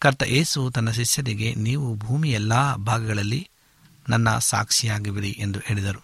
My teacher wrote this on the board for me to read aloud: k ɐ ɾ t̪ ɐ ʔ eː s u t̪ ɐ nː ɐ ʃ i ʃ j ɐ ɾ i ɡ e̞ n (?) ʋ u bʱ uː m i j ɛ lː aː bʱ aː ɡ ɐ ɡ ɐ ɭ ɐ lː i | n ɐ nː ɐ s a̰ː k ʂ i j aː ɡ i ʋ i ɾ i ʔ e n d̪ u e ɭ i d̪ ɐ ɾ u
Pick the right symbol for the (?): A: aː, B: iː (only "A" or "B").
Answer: B